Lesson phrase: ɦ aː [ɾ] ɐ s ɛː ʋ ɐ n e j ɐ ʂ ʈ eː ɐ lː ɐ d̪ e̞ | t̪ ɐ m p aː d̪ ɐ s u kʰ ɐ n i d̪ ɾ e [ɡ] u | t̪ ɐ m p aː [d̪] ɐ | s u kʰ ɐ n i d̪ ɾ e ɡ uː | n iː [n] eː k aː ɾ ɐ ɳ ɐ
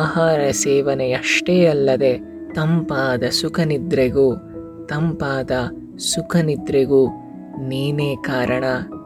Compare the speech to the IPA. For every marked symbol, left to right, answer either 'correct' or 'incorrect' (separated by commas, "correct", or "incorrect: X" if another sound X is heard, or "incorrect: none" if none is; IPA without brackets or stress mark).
correct, correct, correct, correct